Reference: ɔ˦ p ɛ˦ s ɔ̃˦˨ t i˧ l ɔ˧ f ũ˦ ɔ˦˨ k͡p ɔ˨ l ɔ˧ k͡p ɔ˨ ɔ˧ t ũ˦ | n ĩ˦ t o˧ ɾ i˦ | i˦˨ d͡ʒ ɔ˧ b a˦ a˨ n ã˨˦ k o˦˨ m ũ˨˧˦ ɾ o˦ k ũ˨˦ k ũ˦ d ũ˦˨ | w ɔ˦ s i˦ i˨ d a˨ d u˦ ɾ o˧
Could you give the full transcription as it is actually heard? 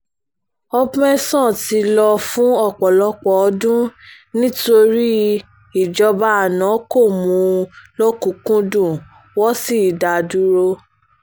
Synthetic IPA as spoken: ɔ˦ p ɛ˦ s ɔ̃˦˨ t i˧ l ɔ˧ f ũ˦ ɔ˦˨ k͡p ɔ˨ l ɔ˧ k͡p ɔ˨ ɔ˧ d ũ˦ | n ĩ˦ t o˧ ɾ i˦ | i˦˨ d͡ʒ ɔ˧ b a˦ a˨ n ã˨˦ k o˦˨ m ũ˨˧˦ l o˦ k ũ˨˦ k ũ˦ d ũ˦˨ | w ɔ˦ s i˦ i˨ d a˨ d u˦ ɾ o˧